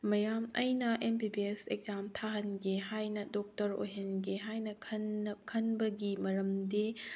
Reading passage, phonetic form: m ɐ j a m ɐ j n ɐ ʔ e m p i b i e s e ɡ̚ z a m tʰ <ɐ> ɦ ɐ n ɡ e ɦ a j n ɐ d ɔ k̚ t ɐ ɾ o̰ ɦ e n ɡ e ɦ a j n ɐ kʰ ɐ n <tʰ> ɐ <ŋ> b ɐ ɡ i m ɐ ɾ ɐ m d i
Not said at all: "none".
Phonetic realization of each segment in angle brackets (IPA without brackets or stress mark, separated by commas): a, kʰ, n